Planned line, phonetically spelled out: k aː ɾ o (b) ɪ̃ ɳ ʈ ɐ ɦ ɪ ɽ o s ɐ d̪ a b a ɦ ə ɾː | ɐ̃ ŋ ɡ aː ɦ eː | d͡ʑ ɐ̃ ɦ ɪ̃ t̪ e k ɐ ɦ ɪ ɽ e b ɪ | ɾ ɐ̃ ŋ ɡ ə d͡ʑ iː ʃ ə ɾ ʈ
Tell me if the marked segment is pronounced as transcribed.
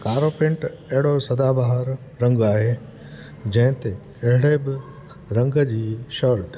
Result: no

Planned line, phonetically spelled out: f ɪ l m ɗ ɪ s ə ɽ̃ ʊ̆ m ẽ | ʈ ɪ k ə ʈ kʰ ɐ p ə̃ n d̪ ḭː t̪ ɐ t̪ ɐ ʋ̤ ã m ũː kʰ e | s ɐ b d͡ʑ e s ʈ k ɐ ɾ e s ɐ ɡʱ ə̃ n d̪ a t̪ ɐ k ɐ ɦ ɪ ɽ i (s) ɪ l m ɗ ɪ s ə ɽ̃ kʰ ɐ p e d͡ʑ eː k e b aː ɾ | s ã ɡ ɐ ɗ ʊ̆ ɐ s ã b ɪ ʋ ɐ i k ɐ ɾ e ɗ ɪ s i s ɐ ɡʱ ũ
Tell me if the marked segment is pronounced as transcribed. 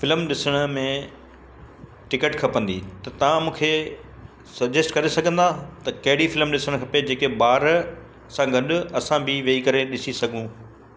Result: no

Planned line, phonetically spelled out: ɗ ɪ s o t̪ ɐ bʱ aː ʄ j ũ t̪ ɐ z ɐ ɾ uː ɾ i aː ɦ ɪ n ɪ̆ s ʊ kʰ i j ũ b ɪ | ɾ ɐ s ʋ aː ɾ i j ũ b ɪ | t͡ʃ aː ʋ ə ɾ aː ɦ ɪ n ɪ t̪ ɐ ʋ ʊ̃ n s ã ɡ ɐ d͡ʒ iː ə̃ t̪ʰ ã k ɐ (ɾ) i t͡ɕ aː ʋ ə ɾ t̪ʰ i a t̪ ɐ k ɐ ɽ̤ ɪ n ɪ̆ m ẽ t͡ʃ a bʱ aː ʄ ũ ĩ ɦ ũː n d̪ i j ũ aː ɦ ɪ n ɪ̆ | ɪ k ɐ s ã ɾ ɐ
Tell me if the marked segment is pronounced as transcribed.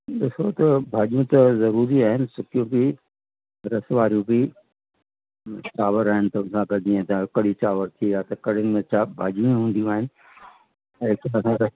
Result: no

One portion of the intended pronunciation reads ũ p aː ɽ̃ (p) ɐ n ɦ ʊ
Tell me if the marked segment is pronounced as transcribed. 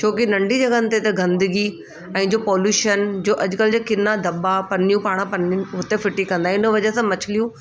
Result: yes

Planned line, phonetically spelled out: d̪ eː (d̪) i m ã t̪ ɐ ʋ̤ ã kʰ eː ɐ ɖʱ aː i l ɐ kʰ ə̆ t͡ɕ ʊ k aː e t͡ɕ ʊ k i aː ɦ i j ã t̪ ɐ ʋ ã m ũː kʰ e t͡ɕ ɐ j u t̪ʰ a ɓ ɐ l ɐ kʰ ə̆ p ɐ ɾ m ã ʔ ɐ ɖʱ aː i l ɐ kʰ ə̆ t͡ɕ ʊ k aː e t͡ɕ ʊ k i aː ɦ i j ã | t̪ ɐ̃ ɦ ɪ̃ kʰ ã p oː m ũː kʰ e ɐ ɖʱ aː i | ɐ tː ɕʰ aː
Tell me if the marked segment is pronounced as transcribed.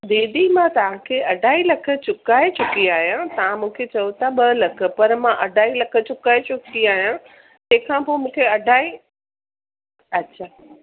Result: yes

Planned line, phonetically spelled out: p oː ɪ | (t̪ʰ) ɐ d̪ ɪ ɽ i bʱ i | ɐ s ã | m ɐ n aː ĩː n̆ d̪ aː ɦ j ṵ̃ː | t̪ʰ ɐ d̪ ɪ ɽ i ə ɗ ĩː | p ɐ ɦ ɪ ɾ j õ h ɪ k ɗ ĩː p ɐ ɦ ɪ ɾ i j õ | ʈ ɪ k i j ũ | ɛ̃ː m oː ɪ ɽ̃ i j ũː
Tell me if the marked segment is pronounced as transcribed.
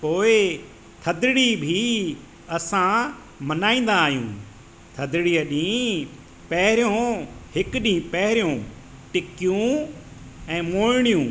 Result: yes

